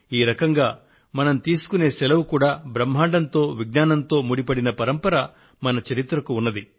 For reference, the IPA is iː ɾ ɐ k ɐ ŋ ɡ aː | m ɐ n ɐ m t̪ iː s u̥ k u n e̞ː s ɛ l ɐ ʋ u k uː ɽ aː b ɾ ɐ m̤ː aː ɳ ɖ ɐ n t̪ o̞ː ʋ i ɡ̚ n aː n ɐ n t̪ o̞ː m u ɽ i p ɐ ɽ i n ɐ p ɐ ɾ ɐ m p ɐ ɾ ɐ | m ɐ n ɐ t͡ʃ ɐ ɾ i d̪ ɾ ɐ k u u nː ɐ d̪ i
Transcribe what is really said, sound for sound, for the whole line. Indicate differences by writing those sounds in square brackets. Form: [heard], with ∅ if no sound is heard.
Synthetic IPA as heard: iː ɾ ɐ k ɐ ŋ ɡ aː | m ɐ n ɐ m t̪ iː s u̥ k u n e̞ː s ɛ l ɐ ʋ u k uː ɽ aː b ɾ ɐ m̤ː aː ɳ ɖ ɐ n t̪ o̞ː ʋ i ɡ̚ n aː n ɐ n t̪ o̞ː m u ɽ i p ɐ ɽ i n ɐ p ɐ ɾ ɐ m p ɐ ɾ ɐ | m ɐ n ɐ t͡ʃ ɐ ɾ i [t̪] ɾ ɐ k u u nː ɐ d̪ i